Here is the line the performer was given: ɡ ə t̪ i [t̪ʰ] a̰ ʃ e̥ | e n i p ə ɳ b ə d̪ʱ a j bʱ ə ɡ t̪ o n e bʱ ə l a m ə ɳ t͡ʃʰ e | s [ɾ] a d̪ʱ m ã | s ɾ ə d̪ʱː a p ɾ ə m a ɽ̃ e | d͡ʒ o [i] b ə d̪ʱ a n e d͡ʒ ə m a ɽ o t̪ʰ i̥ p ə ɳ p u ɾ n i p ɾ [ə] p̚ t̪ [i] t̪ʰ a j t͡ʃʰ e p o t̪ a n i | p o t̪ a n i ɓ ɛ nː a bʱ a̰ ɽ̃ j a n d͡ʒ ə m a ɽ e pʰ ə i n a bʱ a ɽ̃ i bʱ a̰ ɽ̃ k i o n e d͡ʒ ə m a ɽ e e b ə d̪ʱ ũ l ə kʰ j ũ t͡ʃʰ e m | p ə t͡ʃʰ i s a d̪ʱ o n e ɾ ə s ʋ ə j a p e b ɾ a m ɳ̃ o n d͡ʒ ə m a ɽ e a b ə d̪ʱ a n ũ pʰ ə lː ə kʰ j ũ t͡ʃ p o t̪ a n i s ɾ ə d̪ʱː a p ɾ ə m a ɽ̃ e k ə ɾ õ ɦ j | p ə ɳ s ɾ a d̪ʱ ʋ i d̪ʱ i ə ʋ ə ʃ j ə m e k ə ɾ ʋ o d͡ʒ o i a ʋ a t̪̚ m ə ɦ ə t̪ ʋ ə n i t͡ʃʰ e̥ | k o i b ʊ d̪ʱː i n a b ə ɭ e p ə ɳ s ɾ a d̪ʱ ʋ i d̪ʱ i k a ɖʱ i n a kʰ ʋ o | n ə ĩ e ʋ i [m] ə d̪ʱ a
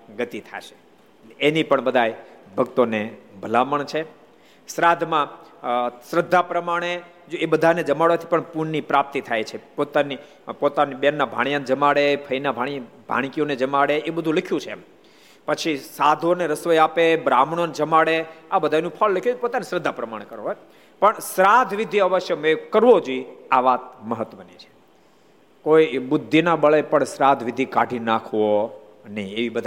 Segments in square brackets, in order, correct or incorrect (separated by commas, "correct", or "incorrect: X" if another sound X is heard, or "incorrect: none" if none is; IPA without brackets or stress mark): correct, correct, incorrect: e, incorrect: a, correct, incorrect: b